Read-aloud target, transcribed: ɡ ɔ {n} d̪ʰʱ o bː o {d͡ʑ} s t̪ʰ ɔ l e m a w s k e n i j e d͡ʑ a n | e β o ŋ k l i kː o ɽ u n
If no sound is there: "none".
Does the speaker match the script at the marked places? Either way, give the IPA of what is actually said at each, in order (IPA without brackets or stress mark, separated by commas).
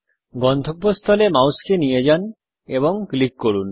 n, none